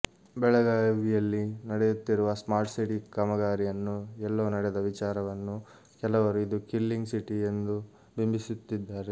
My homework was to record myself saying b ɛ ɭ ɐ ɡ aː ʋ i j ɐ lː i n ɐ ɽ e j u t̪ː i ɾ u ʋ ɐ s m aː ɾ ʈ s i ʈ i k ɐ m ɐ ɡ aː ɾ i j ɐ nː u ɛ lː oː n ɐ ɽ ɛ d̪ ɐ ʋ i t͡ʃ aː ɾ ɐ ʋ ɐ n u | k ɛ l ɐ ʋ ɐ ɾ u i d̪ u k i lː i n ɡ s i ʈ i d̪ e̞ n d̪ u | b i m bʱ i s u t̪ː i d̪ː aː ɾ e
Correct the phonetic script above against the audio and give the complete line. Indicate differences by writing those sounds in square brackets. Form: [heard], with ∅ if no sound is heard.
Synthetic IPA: b ɛ ɭ ɐ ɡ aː ʋ i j ɐ lː i n ɐ ɽ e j u t̪ː i ɾ u ʋ ɐ s m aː ɾ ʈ s i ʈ i k ɐ m ɐ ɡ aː ɾ i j ɐ nː u ɛ lː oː n ɐ ɽ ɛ d̪ ɐ ʋ i t͡ʃ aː ɾ ɐ ʋ ɐ [nː] u | k ɛ l ɐ ʋ ɐ ɾ u i d̪ u k i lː i [ŋ] ɡ s i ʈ i [∅] e̞ n d̪ u | b i m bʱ i s u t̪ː i d̪ː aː ɾ e